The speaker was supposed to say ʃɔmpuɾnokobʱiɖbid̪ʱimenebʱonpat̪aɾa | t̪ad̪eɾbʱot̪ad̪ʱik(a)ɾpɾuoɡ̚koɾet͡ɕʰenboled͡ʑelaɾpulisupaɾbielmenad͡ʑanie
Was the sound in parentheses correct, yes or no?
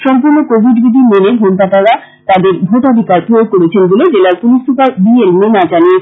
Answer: yes